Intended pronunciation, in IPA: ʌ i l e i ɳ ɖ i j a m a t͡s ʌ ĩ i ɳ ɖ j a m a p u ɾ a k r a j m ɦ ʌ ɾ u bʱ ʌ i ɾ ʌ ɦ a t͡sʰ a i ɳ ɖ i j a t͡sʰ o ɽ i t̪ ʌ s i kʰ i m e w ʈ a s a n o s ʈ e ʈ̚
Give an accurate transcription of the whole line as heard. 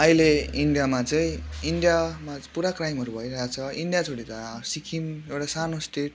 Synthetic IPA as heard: ʌ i l e i ɳ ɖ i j a m a t͡s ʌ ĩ i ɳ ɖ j a m a p u ɾ a k r a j m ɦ ʌ ɾ u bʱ ʌ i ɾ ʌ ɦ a t͡sʰ ʌ i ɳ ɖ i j a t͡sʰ o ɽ i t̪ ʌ s i kʰ i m e w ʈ a s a n o s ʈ e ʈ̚